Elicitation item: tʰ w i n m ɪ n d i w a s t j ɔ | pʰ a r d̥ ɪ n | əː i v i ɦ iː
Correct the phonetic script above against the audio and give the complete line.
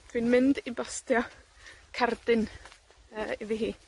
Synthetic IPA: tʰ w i n m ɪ n d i b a s t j ɔ | kʰ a r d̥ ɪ n | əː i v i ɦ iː